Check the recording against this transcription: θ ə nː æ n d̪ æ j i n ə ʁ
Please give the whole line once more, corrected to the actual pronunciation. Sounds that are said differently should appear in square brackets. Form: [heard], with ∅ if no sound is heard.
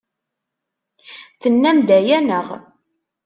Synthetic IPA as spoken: θ ə nː æ [m] d̪ æ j [æ] n ə ʁ